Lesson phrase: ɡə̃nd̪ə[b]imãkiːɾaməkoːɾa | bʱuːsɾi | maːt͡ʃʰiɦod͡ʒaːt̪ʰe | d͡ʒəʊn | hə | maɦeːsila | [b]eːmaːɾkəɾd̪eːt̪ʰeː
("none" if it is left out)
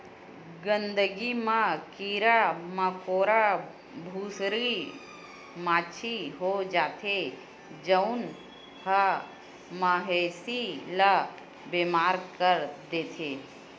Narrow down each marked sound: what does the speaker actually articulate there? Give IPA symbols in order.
ɡ, b

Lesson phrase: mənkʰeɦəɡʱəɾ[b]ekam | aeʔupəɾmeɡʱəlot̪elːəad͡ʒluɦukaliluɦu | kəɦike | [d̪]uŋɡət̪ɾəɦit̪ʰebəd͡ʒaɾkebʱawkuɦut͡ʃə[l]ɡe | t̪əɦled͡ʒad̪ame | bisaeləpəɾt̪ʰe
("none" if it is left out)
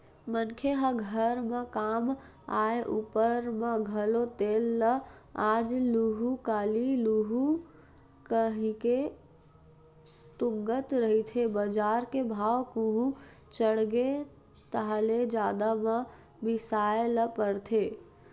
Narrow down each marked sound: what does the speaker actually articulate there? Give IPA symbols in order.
m, t̪, ɽ

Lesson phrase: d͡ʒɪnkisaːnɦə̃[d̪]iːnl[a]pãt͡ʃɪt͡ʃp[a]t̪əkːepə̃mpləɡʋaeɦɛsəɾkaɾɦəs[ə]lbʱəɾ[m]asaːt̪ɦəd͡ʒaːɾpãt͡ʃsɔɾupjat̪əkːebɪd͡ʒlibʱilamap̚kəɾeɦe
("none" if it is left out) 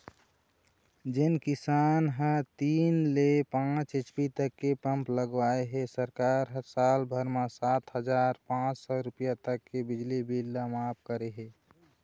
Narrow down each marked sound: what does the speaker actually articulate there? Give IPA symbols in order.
t̪, e, i, a, m

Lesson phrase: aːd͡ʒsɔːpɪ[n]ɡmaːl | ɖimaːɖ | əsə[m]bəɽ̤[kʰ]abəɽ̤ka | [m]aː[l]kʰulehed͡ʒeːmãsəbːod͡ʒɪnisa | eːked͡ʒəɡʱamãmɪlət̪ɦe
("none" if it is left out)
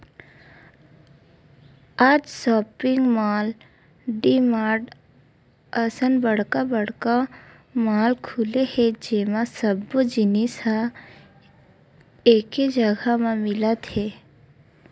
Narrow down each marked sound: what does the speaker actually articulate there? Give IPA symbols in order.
ŋ, n, k, m, l

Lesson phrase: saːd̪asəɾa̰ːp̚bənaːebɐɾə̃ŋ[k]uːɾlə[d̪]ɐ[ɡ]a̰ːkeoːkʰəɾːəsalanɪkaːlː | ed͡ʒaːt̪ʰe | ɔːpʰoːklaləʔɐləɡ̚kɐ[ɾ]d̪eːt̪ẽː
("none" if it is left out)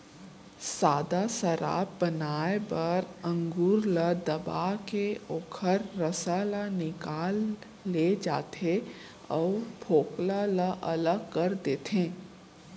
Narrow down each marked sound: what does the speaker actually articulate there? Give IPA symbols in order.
ɡ, d̪, b, ɾ

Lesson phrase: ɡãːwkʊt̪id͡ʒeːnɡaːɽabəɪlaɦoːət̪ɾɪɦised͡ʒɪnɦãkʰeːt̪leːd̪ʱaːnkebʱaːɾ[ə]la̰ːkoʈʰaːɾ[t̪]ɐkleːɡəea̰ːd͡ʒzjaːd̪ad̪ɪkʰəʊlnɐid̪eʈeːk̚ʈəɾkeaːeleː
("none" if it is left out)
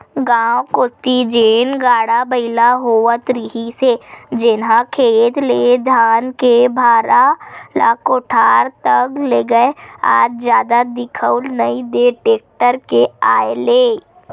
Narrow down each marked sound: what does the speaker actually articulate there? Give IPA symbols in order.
a, t̪

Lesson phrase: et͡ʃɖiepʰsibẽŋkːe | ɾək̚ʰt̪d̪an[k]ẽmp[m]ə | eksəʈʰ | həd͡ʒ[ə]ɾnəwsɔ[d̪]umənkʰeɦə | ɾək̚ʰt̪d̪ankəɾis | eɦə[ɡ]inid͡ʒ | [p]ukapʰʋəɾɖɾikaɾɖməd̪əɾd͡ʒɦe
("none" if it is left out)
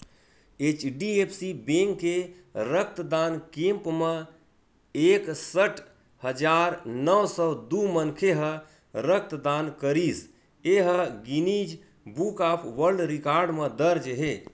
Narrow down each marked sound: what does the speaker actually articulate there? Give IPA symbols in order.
k, m, a, d̪, ɡ, b

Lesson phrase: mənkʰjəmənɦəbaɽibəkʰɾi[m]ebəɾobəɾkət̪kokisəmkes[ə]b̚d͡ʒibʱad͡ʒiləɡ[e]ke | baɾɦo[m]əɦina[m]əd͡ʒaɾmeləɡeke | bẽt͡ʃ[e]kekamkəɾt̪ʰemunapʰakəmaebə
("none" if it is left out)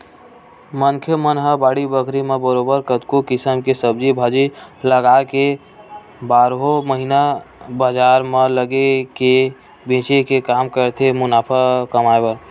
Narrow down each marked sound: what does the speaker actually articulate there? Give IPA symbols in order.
m, ə, a, m, b, e

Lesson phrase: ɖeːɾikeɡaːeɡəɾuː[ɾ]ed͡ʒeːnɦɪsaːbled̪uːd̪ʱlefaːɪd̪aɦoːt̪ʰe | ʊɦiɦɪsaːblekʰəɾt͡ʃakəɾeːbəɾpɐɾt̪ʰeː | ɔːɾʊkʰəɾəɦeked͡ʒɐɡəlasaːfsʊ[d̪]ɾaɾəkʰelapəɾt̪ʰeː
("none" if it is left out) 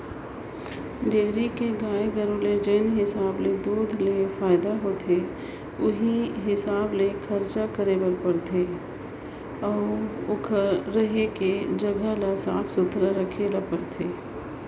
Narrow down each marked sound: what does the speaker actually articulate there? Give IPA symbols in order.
l, t̪

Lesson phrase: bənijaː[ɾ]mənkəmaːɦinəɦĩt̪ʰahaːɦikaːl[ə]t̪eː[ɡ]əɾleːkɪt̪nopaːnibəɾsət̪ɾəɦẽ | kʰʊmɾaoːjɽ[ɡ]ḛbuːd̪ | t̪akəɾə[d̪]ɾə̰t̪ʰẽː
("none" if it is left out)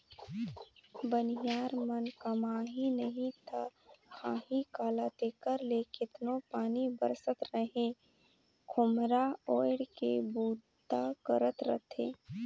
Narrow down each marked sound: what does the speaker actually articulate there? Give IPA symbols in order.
ɾ, a, k, k, t̪

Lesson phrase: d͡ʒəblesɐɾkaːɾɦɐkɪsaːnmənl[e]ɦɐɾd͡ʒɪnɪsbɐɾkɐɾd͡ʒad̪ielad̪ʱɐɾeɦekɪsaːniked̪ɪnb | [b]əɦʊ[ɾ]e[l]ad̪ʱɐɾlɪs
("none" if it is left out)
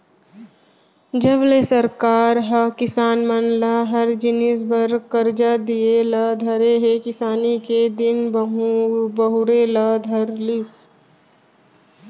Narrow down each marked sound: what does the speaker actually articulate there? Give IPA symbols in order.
a, b, ɾ, l

